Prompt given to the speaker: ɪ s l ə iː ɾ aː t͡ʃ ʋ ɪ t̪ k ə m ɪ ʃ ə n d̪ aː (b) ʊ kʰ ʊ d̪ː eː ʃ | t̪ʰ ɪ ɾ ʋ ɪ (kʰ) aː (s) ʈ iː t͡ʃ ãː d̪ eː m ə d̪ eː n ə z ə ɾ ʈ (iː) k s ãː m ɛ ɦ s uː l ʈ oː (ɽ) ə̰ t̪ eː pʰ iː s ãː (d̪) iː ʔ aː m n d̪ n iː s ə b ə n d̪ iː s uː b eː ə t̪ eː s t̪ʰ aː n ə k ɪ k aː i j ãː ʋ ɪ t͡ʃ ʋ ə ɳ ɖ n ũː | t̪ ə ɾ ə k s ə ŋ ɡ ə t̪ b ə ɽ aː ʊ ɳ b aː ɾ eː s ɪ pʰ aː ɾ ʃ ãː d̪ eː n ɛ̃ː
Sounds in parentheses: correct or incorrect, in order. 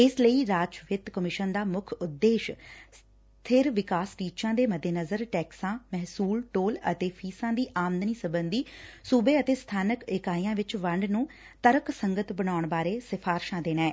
incorrect, incorrect, correct, incorrect, incorrect, correct

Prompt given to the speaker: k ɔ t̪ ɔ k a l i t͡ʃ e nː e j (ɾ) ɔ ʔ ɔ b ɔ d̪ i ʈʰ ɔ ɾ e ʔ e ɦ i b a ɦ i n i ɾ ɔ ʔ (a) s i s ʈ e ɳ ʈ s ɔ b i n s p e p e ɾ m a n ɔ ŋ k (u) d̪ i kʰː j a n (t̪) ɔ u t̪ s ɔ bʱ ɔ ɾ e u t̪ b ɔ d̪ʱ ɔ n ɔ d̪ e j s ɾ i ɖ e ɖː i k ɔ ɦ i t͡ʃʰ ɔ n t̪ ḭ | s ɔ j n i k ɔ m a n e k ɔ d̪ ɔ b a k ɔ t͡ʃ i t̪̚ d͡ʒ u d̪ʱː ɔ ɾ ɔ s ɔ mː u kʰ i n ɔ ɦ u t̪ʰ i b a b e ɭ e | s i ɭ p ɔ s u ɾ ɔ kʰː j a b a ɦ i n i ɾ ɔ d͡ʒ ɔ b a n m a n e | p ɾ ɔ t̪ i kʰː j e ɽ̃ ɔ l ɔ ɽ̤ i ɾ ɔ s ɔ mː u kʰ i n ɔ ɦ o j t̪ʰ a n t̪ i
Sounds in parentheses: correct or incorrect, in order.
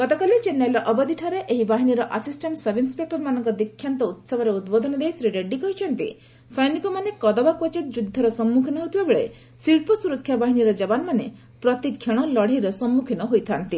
incorrect, correct, incorrect, correct

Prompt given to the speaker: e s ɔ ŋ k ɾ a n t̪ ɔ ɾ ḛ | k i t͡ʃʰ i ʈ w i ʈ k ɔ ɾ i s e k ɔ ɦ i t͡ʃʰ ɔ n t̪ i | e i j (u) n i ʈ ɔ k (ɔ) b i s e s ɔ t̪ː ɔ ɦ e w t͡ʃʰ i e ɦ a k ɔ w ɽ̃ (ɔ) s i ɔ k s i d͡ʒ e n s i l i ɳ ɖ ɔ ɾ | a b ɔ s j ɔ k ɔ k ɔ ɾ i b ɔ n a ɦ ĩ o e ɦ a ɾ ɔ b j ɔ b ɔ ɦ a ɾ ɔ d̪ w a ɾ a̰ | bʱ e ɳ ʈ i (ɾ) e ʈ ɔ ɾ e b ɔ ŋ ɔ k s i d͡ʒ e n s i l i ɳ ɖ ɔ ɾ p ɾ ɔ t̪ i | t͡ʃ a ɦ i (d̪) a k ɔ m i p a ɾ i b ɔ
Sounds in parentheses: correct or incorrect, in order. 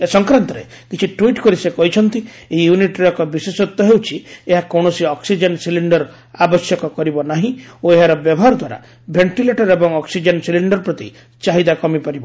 correct, correct, correct, incorrect, correct

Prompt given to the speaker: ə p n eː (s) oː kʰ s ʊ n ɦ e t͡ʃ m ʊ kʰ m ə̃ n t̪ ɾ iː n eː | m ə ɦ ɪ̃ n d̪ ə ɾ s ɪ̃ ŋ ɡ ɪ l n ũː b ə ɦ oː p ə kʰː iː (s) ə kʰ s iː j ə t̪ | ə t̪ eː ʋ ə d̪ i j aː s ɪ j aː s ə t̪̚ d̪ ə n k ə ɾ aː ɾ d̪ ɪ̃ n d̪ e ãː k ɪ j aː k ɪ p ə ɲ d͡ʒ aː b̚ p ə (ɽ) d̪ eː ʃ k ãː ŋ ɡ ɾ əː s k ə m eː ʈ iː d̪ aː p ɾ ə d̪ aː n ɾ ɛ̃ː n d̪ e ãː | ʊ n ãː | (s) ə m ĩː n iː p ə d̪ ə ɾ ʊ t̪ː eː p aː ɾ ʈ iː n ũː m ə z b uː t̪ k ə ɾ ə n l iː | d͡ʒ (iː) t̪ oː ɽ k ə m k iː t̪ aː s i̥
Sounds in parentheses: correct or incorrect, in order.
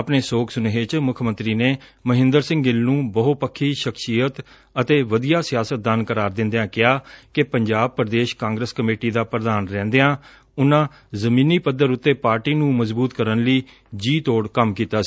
correct, incorrect, incorrect, incorrect, correct

